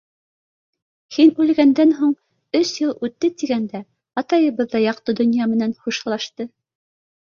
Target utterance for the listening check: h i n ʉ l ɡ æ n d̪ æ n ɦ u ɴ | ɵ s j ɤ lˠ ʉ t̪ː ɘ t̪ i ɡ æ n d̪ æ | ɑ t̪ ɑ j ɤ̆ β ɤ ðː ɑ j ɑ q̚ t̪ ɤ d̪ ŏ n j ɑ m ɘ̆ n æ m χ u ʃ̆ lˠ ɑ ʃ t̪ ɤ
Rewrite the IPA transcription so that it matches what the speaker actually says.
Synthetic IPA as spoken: h i n ʉ l ɡ æ n d̪ æ n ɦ u ɴ | ɵ s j ɤ lˠ ʉ t̪ː ɘ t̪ i ɡ æ n d̪ æ | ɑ t̪ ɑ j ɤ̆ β ɤ ðː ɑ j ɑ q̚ t̪ ɤ d̪ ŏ n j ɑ m ɘ̆ n æ n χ u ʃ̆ lˠ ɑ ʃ t̪ ɤ